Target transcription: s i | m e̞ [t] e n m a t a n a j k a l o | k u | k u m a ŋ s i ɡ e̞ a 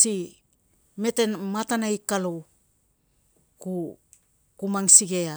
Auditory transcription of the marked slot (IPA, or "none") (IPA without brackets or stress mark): t